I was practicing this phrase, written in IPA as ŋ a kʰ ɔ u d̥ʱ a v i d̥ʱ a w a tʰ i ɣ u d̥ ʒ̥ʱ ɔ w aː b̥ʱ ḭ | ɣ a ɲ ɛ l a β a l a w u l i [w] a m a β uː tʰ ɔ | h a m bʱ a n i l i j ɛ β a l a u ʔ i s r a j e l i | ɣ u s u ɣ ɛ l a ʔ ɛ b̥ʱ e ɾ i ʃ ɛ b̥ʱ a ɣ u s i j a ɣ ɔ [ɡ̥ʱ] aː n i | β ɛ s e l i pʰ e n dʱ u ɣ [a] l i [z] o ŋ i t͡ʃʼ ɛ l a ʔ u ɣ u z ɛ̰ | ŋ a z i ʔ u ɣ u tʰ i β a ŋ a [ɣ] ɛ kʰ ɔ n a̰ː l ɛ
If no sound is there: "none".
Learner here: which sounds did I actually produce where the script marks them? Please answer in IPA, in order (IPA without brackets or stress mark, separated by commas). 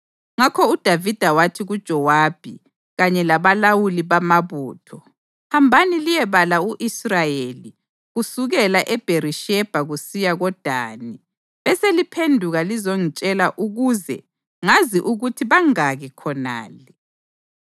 β, d̥ʱ, a, z, ɣ